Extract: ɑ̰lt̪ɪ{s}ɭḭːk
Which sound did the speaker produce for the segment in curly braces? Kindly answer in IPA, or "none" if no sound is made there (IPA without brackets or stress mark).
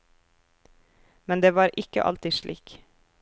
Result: ʃ